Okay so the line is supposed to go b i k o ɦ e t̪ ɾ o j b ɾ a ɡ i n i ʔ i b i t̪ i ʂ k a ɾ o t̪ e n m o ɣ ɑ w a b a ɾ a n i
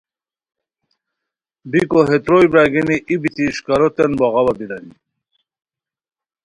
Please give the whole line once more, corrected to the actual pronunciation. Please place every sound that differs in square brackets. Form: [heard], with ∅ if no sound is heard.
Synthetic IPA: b i k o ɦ e t̪ ɾ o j b ɾ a ɡ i n i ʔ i b i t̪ i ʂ k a ɾ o t̪ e n [b] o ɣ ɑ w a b [i] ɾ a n i

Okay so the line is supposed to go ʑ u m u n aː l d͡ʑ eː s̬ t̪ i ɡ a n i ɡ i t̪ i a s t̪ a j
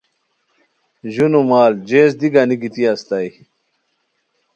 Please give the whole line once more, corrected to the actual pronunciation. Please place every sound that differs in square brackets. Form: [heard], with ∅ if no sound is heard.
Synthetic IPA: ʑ u [n] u [m] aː l d͡ʑ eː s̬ [d̪] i ɡ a n i ɡ i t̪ i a s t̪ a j

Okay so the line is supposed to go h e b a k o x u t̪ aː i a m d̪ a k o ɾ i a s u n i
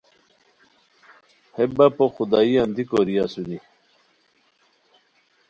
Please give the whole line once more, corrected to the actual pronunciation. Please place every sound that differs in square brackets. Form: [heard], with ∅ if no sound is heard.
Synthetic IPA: h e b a [p] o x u [d̪] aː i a [n] d̪ [i] k o ɾ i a s u n i

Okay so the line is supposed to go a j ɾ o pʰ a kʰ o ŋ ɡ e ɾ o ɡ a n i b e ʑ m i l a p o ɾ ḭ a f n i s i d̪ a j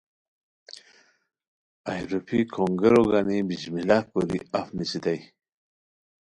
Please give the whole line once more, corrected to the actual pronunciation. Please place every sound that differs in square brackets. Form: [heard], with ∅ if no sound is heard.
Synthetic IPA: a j ɾ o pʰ [i] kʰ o ŋ ɡ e ɾ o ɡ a n i b [i] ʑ m i l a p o ɾ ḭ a f n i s i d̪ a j

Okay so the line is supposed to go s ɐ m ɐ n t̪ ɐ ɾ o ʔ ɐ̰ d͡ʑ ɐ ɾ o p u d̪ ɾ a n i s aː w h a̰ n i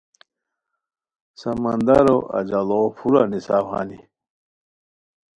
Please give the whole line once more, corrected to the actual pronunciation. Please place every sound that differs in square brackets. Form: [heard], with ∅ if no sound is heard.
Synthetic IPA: s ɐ m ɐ n [d̪] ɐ ɾ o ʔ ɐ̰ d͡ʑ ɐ [l] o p u [∅] ɾ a n i s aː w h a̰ n i

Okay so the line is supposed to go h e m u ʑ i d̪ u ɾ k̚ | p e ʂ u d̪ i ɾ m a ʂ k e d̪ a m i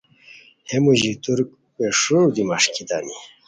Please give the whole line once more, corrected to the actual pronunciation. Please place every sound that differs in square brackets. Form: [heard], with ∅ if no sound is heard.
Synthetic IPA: h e m u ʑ i [t̪] u ɾ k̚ | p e ʂ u d̪ i [∅] m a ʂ k [i] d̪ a [n] i

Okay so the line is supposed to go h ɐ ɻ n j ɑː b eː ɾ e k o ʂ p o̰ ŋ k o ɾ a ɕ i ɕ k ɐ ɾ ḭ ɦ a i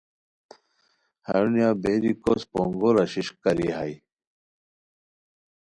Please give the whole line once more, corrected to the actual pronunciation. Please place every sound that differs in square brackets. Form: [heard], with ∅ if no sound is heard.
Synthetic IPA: h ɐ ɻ n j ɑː b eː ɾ [i] k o [s] p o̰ ŋ [ɡ] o ɾ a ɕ i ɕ k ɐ ɾ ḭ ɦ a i

